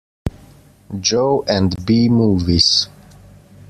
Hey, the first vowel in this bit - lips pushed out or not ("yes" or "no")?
yes